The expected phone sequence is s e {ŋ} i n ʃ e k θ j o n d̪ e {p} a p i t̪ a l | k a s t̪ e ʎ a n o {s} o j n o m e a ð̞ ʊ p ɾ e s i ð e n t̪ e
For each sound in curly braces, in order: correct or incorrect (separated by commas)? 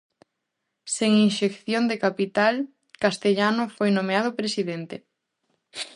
correct, incorrect, incorrect